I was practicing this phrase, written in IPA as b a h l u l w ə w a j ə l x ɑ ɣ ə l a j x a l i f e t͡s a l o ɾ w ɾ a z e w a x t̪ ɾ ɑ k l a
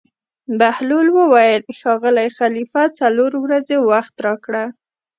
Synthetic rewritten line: b a h l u l w ə w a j ə l x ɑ ɣ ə l a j x a l i f a t͡s a l o ɾ w ɾ a z e w a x t̪ ɾ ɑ k ɽ a